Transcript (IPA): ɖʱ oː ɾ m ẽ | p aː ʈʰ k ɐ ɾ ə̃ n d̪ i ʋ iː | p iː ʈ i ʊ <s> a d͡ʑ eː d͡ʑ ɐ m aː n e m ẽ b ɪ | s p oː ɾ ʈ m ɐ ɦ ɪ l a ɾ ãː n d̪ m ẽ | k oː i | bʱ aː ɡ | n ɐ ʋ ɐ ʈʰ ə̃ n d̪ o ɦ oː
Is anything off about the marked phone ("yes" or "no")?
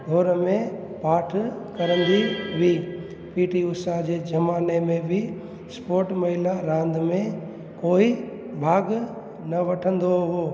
no